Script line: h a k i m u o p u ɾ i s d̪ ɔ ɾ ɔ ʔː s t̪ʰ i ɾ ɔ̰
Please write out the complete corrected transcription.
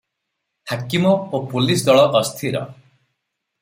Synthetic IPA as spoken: h a k i m ɔ o p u l i s d̪ ɔ ɭ ɔ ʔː s t̪ʰ i ɾ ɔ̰